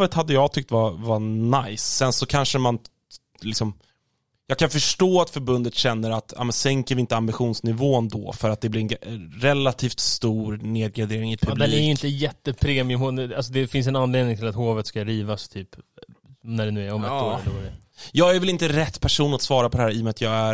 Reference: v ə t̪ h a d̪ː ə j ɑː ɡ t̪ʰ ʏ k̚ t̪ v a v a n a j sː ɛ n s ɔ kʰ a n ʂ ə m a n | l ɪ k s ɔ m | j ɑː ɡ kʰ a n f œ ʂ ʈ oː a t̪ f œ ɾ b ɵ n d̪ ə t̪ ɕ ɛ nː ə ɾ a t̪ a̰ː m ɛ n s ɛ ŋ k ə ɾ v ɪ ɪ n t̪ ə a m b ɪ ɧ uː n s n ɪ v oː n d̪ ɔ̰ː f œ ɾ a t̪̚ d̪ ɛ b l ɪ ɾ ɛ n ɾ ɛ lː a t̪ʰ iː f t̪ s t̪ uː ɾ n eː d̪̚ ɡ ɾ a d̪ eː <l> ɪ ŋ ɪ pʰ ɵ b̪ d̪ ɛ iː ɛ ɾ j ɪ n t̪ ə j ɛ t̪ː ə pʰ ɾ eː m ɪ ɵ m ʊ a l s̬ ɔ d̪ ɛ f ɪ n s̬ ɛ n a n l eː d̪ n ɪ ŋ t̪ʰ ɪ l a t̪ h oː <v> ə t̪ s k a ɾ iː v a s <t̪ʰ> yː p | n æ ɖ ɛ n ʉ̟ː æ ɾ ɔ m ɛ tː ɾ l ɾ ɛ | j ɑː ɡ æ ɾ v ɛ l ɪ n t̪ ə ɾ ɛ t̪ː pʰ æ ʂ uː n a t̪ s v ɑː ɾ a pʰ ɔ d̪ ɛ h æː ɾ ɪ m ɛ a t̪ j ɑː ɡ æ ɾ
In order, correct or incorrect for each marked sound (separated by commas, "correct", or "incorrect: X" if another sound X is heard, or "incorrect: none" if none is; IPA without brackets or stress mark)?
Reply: incorrect: ɾ, correct, correct